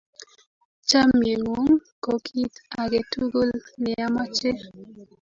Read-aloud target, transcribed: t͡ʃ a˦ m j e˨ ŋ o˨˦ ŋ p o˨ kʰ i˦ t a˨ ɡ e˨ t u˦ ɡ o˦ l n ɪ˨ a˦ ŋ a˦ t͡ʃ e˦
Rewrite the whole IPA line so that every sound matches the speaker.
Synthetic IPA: t͡ʃ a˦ m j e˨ ŋ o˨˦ ŋ k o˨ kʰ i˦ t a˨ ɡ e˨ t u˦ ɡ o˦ l n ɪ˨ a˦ m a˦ t͡ʃ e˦